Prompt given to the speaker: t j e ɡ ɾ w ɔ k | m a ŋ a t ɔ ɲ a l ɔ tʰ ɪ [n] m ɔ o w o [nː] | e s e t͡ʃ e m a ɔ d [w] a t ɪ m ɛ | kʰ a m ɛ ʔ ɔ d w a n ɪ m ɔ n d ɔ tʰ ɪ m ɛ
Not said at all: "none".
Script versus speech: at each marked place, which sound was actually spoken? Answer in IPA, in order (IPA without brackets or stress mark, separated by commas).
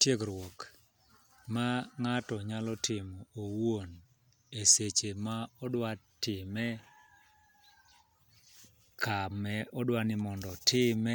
none, n, w